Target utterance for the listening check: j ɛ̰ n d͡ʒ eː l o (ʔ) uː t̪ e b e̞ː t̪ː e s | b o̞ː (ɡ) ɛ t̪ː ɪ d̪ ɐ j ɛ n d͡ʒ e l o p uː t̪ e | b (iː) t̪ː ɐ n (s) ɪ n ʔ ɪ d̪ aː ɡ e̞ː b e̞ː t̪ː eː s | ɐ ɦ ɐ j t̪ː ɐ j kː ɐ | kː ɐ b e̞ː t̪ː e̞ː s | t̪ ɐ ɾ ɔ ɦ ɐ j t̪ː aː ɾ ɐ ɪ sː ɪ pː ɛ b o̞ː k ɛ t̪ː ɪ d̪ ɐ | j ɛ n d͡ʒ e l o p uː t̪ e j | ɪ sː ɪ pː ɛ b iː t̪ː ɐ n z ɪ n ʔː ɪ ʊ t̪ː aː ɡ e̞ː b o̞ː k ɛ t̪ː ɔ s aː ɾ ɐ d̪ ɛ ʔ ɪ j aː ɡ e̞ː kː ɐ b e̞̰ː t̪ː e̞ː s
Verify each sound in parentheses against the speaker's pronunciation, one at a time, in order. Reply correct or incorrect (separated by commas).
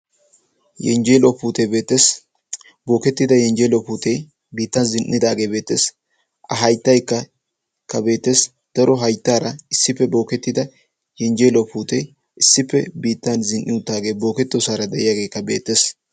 incorrect, incorrect, correct, incorrect